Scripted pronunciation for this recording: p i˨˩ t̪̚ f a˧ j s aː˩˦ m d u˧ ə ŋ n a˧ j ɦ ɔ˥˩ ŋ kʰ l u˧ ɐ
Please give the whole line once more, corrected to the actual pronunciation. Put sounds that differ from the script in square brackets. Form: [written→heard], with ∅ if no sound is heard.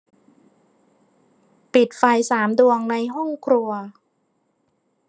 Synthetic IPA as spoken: p i˨˩ t̪̚ f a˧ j s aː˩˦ m d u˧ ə ŋ n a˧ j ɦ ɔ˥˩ ŋ kʰ [l→ɾ] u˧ ɐ